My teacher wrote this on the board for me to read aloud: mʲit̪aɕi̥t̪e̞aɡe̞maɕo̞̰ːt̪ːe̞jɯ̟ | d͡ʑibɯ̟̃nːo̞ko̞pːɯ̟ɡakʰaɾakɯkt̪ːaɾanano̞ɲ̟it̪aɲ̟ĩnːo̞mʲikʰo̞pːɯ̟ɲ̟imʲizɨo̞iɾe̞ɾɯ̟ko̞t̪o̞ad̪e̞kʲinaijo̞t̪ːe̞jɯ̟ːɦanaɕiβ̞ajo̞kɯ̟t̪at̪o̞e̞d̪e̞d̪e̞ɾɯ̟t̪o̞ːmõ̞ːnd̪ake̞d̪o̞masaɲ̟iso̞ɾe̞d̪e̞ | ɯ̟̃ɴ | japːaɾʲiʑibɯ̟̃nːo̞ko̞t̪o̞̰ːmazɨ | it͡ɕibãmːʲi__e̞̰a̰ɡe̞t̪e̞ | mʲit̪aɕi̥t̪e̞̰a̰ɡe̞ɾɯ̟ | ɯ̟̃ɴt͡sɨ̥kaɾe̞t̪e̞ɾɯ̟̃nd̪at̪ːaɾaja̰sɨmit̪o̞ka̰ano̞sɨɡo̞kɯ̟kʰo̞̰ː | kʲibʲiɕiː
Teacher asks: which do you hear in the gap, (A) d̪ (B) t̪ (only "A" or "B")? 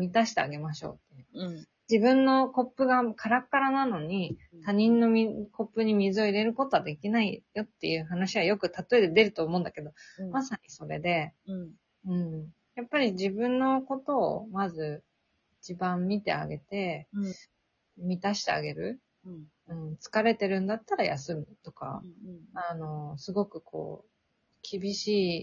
B